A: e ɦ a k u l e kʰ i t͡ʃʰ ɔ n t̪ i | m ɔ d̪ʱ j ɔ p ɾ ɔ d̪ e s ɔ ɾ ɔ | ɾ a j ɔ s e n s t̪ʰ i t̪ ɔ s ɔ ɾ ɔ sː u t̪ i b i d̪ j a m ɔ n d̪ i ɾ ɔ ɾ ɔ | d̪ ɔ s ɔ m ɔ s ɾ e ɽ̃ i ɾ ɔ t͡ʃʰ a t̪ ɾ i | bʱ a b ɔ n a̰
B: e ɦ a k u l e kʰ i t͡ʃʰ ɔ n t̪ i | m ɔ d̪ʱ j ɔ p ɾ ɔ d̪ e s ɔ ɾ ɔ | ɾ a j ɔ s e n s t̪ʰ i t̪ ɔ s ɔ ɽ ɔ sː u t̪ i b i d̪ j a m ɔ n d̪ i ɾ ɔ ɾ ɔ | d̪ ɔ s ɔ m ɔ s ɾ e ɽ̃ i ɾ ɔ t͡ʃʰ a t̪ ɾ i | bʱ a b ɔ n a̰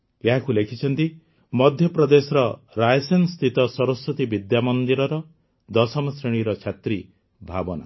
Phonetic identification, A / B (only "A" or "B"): A